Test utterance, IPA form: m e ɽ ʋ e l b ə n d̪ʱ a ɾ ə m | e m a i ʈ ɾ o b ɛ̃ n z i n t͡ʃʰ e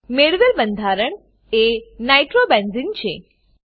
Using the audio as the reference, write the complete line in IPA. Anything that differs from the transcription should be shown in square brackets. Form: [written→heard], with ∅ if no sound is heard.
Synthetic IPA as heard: m e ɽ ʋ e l b ə n d̪ʱ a ɾ ə [m→ɳ] | e [m→n] a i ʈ ɾ o b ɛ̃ n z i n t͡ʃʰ e